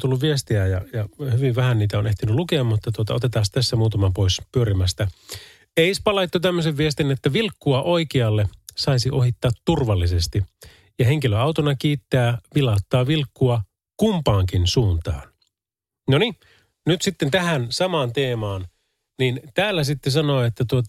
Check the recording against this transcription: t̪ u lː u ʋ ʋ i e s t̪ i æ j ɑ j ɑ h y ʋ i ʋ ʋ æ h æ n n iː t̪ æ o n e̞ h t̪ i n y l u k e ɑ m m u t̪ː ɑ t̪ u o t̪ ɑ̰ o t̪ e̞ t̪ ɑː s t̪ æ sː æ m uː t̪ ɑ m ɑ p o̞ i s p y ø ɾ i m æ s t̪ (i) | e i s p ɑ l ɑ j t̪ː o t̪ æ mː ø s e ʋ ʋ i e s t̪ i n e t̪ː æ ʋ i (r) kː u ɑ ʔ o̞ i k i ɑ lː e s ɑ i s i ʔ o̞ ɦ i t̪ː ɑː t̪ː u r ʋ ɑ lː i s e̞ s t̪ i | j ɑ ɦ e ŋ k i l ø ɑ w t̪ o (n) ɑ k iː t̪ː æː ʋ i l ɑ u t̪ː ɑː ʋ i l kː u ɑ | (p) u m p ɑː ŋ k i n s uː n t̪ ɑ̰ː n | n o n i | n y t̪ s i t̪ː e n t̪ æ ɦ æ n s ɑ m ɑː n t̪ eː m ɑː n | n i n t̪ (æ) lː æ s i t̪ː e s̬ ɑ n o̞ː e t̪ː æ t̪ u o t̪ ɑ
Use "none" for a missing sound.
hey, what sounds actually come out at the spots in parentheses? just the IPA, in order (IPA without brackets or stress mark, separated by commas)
æ, l, n, k, æː